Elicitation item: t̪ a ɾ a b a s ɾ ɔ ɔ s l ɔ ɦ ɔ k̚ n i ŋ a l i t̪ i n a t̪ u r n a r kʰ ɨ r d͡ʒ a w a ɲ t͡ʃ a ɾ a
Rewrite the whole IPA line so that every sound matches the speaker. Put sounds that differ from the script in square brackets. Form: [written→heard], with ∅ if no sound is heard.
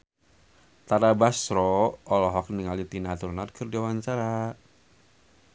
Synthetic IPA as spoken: t̪ a ɾ a b a s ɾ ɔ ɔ [s→∅] l ɔ ɦ ɔ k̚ n i ŋ a l i t̪ i n a t̪ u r n a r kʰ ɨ r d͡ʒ a w a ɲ t͡ʃ a ɾ a